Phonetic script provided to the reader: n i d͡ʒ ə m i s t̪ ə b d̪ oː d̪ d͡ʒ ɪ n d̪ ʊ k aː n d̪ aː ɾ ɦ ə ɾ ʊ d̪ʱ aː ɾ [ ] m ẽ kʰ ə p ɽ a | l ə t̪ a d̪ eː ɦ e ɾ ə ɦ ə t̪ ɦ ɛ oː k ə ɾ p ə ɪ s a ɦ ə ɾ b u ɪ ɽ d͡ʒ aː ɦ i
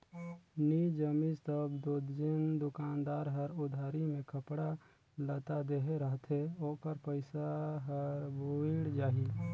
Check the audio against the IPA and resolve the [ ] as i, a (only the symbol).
i